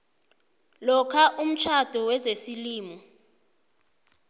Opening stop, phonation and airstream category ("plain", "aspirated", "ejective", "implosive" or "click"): aspirated